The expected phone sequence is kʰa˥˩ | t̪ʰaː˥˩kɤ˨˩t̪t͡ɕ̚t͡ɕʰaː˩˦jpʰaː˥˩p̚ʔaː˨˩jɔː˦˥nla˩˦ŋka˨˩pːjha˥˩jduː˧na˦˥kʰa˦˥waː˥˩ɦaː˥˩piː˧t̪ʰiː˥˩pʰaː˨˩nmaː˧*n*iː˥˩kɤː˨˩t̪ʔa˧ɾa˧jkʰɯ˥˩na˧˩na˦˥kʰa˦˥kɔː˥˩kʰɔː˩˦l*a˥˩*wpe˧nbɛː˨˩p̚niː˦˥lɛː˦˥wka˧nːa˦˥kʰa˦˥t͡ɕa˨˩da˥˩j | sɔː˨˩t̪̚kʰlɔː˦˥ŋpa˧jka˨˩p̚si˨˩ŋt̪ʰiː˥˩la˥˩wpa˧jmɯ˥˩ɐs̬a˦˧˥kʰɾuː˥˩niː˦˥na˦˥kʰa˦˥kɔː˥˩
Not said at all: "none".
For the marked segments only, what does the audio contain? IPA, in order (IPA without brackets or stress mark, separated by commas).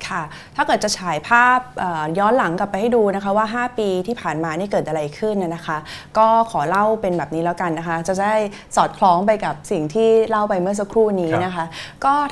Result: n, a˥˩